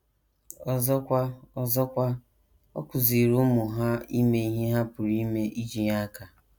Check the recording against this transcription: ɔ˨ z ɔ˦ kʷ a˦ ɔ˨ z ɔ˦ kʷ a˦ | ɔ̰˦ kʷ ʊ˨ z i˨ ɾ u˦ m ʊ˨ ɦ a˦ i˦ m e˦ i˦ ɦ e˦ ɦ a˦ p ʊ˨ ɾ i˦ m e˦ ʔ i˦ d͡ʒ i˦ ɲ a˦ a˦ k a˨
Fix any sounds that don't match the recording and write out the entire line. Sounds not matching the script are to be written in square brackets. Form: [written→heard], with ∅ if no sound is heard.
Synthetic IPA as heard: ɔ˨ z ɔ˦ kʷ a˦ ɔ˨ z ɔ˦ kʷ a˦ | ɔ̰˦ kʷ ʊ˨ z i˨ ɾ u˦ m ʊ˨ ɦ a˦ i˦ m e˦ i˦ ɦ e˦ ɦ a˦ p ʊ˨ ɾ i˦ m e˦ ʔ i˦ d͡ʒ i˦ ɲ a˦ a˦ k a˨